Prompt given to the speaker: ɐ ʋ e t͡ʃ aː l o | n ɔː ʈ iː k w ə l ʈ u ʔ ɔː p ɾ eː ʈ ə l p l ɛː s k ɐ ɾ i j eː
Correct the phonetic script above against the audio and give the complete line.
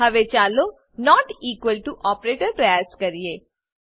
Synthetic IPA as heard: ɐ ʋ e t͡ʃ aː l o | n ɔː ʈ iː k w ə l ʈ u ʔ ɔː p ɾ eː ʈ ə ɾ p ɾ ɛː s k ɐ ɾ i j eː

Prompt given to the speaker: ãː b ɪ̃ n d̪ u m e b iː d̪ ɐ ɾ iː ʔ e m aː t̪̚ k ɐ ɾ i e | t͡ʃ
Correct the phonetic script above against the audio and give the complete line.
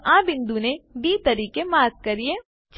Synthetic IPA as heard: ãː b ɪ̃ n d̪ u n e b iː t̪ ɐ ɾ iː k e m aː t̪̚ k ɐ ɾ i e | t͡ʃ

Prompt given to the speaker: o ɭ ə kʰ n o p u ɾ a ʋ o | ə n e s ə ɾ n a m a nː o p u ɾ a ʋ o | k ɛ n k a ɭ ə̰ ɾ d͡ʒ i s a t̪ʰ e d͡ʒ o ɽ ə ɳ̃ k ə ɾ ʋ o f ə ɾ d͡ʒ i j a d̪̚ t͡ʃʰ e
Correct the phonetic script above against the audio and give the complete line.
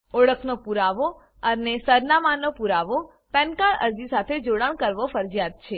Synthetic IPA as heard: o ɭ ə kʰ n o p u ɾ a ʋ o | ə n e s ə ɾ n a m a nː o p u ɾ a ʋ o | p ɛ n k a ɭ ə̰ ɾ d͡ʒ i s a t̪ʰ e d͡ʒ o ɽ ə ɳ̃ k ə ɾ ʋ o f ə ɾ d͡ʒ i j a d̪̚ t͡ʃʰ e

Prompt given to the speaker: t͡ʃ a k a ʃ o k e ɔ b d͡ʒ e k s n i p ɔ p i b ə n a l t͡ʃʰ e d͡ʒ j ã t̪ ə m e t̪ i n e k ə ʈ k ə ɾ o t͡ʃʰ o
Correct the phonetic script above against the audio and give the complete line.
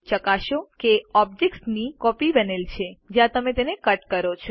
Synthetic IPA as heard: t͡ʃ ə k a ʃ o k e ɔ b d͡ʒ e k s n i k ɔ p i b ə n e l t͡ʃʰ e d͡ʒ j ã t̪ ə m e t̪ e n e k ə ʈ k ə ɾ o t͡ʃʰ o

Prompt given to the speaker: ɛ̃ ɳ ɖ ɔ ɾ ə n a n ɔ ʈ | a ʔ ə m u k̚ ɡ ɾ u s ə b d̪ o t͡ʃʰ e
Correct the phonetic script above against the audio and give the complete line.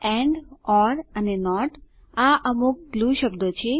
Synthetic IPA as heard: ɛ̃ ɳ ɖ ɔ ɾ ə n e n ɔ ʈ | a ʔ ə m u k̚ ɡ l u ʃ ə b d̪ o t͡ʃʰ e

